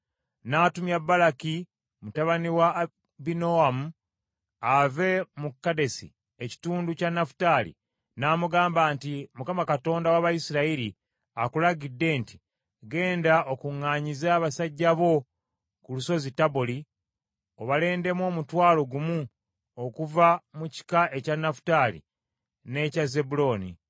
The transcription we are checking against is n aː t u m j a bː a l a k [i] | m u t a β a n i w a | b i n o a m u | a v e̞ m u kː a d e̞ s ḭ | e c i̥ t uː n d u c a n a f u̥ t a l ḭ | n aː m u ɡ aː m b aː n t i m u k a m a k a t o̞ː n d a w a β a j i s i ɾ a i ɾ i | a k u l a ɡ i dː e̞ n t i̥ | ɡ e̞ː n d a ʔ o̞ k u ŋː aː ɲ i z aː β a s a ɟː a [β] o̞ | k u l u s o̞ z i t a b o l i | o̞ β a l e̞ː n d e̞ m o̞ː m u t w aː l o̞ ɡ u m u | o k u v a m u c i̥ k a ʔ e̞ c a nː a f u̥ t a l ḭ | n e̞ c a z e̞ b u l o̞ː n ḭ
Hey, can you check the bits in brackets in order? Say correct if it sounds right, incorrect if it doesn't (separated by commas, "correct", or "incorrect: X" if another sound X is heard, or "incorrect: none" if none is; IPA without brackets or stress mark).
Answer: correct, correct